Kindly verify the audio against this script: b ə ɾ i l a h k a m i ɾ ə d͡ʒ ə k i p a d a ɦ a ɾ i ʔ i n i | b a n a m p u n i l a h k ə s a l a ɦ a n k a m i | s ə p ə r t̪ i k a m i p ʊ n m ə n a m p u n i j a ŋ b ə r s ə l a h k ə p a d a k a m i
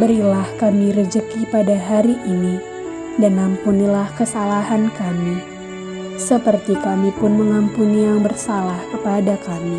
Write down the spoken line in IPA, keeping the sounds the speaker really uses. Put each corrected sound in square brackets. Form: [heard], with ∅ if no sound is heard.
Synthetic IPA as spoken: b ə ɾ i l a h k a m i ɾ ə d͡ʒ ə k i p a d a ɦ a ɾ i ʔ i n i | [d] a n a m p u n i l a h k ə s a l a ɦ a n k a m i | s ə p ə r t̪ i k a m i p ʊ n m ə [ŋ] a m p u n i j a ŋ b ə r s [a] l a h k ə p a d a k a m i